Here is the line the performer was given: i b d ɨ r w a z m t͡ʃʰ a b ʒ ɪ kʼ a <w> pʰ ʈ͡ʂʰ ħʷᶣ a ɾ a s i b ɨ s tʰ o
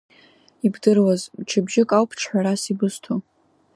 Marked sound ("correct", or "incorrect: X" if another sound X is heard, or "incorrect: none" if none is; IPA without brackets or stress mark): correct